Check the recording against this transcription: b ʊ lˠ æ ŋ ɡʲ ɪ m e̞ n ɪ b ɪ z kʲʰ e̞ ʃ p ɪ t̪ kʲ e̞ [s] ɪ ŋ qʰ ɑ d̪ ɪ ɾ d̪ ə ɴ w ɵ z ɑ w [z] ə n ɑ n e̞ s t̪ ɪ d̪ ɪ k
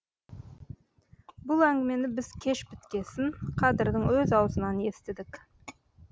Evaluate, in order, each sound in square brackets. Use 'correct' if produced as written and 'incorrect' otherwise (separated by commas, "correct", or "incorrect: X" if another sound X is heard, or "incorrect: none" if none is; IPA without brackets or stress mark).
correct, correct